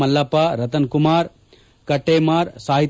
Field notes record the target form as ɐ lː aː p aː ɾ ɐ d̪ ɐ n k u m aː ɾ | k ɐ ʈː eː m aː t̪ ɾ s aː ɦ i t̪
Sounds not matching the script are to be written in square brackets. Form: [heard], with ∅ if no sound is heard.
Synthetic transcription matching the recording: ɐ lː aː p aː ɾ ɐ [t̪] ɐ n k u m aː ɾ | k ɐ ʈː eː m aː [∅] ɾ s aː ɦ i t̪